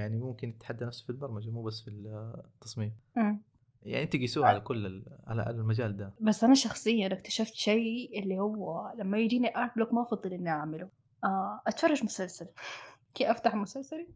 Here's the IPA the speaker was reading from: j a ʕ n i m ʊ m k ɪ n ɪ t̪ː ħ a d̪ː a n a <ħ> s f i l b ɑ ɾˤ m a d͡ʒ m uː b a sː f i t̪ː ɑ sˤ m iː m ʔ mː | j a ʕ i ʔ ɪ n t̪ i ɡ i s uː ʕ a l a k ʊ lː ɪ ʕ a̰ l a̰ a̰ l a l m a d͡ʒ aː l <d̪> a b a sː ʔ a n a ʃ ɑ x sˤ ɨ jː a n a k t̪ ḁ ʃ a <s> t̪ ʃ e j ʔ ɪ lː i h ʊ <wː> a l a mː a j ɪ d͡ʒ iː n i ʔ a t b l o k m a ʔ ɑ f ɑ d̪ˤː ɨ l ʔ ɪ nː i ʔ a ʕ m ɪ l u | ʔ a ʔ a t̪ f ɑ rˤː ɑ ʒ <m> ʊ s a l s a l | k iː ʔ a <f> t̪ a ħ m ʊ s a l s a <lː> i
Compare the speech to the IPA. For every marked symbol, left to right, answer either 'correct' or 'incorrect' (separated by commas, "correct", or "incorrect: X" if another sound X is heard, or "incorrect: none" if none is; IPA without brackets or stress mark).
incorrect: f, correct, incorrect: f, correct, correct, correct, incorrect: l